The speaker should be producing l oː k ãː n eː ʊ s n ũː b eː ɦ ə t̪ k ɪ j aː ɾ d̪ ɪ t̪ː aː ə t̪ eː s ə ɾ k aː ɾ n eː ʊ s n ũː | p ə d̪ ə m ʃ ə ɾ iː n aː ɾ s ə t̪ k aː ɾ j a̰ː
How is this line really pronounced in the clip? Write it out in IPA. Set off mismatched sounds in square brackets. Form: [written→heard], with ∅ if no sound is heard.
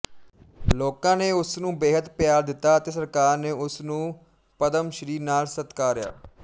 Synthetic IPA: l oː k ãː n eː ʊ s n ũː b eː ɦ ə t̪ [k→p] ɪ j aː ɾ d̪ ɪ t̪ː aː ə t̪ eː s ə ɾ k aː ɾ n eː ʊ s n ũː | p ə d̪ ə m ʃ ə ɾ iː n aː [ɾ→l] s ə t̪ k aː ɾ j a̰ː